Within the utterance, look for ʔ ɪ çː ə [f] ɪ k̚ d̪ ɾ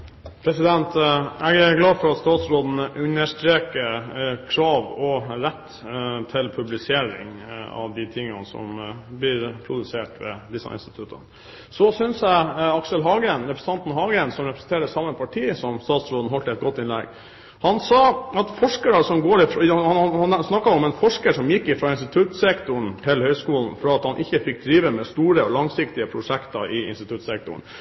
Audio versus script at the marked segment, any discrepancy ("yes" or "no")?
no